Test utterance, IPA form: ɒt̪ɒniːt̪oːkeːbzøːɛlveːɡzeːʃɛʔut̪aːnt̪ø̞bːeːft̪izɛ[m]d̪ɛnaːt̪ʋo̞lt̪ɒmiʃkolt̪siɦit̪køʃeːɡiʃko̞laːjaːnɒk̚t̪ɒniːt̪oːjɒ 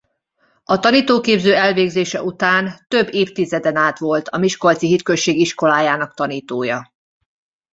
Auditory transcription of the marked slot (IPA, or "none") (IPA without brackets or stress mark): none